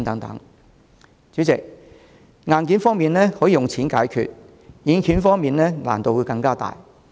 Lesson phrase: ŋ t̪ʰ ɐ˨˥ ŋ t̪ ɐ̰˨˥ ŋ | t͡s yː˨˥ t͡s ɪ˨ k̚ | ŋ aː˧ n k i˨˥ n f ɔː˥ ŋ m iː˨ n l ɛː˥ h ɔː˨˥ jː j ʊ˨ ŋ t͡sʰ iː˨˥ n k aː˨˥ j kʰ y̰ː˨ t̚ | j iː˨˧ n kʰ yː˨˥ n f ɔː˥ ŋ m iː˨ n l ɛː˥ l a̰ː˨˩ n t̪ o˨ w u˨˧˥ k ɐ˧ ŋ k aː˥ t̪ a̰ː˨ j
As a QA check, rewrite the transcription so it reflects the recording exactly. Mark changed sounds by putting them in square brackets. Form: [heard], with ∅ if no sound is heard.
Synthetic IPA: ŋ [t̪] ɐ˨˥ ŋ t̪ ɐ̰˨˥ ŋ | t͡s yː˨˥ t͡s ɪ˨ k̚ | ŋ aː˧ n k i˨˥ n f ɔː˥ ŋ m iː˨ n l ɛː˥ h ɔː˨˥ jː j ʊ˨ ŋ t͡sʰ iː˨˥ n k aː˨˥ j kʰ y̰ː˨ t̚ | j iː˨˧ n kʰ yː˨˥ n f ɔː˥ ŋ m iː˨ n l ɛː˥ l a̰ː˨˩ n t̪ o˨ w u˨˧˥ k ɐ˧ ŋ k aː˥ t̪ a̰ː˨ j

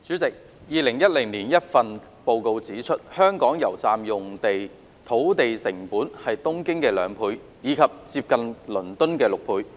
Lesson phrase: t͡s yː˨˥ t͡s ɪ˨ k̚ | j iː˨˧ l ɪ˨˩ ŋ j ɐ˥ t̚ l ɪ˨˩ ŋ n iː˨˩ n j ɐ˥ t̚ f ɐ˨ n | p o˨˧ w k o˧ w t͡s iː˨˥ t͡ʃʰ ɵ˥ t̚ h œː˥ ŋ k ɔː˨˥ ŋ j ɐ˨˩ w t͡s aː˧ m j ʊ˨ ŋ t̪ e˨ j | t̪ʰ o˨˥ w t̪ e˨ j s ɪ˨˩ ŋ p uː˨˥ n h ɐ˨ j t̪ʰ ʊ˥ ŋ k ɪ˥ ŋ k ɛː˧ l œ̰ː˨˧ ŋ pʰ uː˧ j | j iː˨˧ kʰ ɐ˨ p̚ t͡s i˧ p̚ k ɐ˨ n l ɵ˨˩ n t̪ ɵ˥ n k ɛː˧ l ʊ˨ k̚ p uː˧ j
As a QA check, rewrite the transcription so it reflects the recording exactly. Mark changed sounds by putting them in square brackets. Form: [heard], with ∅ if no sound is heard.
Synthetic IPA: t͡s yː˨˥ t͡s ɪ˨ k̚ | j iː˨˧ l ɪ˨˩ ŋ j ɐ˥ t̚ l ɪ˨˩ ŋ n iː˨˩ n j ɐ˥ t̚ f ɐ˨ n | p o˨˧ w k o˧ w t͡s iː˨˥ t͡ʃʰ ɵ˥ t̚ h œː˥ ŋ k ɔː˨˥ ŋ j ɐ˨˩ w t͡s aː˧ m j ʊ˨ ŋ t̪ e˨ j | t̪ʰ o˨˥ w t̪ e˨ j s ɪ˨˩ ŋ p uː˨˥ n h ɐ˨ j [t̪] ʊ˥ ŋ k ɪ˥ ŋ k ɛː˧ l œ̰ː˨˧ ŋ pʰ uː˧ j | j iː˨˧ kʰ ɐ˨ p̚ t͡s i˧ p̚ k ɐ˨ n l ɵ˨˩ n t̪ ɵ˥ n k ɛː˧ l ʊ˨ k̚ [pʰ] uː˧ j

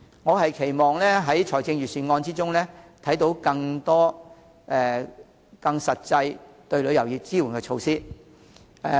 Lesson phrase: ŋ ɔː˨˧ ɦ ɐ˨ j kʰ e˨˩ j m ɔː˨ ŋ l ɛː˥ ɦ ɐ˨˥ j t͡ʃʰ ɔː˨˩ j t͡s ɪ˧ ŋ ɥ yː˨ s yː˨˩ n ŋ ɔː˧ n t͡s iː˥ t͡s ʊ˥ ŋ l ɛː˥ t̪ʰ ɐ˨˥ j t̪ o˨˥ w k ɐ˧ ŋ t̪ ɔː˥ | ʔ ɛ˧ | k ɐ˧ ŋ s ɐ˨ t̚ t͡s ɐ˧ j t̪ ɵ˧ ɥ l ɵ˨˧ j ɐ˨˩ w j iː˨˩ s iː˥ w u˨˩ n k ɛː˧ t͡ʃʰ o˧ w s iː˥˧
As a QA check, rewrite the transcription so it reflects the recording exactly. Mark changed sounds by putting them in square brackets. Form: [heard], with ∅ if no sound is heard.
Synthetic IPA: ŋ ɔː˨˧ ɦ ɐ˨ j kʰ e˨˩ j m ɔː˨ ŋ l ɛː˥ ɦ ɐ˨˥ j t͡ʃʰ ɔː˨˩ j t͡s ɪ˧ ŋ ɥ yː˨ s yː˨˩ n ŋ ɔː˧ n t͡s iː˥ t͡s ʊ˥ ŋ l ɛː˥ t̪ʰ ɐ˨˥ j t̪ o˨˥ w k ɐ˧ ŋ t̪ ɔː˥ | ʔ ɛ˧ | k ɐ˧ ŋ s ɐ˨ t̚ t͡s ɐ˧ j t̪ ɵ˧ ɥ l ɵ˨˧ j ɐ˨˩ w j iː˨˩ [t͡s] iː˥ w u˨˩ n k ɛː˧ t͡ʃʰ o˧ w s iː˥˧

